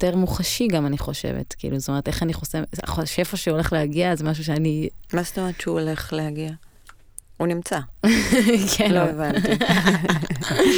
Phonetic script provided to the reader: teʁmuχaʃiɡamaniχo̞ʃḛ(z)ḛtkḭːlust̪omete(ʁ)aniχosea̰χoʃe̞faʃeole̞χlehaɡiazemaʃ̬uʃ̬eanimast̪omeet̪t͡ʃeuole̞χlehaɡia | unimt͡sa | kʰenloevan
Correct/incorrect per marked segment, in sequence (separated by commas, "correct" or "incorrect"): incorrect, incorrect